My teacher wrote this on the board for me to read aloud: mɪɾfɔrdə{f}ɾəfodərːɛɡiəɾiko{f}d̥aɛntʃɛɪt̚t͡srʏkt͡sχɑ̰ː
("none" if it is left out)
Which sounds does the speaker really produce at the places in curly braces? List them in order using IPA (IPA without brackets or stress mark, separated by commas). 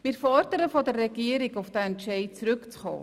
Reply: none, f